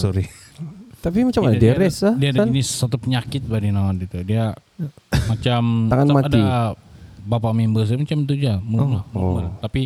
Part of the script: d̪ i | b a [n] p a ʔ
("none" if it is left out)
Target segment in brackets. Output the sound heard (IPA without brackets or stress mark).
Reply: none